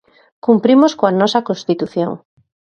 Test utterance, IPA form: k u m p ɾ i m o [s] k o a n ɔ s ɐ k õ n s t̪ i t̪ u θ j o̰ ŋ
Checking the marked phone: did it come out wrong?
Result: no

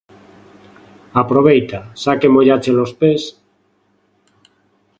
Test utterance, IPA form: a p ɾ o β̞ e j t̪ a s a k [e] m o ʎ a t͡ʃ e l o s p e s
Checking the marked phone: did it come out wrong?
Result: no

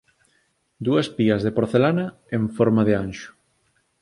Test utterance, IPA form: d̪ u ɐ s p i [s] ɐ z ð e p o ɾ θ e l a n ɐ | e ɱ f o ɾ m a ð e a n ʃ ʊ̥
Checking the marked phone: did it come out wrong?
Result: yes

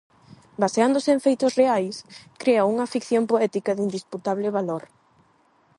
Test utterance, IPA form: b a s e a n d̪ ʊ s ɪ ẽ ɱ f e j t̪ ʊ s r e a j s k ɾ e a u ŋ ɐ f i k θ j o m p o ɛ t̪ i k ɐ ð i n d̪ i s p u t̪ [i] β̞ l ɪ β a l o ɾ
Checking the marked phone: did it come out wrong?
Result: yes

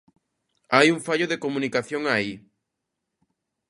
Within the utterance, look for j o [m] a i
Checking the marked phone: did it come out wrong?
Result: yes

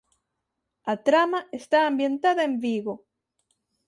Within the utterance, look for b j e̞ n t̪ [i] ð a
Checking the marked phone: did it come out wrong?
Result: yes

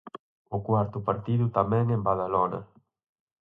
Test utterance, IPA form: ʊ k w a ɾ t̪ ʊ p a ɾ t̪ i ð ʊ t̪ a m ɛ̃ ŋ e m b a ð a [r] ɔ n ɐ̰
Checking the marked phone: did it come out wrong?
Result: yes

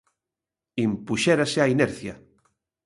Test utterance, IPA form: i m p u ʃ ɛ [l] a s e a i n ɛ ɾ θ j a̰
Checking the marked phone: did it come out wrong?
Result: yes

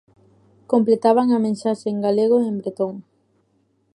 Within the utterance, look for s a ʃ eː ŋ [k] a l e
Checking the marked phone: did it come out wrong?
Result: yes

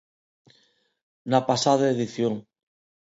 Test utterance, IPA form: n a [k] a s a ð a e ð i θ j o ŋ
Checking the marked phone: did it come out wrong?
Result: yes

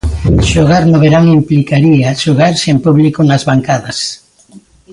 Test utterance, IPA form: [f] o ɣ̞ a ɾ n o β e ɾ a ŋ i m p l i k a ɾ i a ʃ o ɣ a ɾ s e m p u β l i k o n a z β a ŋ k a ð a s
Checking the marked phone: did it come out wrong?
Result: yes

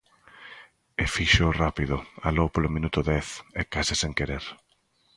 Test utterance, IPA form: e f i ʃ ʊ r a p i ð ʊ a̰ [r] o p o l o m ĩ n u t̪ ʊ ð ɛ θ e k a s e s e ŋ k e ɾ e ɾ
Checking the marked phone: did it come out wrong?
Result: yes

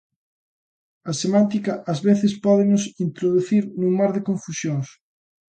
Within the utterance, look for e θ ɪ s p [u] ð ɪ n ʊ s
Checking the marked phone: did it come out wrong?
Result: yes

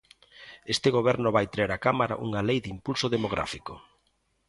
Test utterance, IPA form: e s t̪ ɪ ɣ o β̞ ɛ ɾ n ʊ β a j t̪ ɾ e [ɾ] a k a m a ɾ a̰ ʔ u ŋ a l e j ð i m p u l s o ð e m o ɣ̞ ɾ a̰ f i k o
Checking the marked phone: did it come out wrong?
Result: no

